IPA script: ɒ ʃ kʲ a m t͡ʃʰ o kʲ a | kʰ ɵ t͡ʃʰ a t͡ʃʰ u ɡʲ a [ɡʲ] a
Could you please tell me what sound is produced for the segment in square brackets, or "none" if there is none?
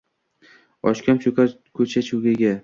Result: ɡʲ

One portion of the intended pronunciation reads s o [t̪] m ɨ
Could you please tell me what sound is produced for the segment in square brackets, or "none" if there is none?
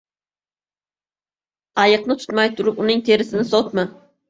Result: t̪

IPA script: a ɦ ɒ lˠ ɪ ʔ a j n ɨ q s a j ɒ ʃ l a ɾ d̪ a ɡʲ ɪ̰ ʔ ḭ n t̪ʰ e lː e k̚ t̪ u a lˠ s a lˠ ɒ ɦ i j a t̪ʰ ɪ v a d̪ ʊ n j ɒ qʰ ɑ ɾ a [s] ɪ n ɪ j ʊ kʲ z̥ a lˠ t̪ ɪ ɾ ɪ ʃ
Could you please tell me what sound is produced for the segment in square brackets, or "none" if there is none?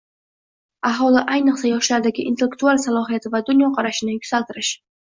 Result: ʃ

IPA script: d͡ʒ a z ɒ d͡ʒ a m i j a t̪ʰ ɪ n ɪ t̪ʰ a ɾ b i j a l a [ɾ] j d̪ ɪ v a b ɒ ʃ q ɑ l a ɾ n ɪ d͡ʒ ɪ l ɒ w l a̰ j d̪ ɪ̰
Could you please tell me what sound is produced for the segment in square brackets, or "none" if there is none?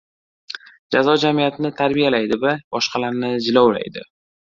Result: none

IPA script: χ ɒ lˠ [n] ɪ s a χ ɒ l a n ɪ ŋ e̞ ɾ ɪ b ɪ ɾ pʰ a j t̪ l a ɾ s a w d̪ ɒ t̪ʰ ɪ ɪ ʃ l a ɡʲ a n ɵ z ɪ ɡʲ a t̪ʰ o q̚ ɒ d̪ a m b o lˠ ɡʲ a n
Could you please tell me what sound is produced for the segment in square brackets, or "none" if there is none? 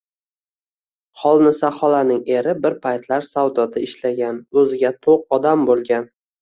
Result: n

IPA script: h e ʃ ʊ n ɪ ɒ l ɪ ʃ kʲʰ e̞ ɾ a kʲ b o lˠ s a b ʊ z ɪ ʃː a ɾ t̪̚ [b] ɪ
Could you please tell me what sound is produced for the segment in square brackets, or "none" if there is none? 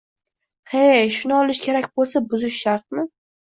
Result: m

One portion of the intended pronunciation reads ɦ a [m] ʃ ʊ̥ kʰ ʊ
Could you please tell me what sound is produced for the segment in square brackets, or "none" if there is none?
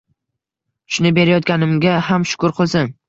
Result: m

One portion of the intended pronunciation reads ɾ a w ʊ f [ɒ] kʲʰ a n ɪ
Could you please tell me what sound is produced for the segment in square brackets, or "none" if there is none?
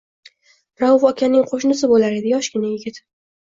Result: ɒ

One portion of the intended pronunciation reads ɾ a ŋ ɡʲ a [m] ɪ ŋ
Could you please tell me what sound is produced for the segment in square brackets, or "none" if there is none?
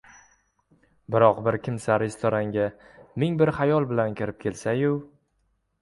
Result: m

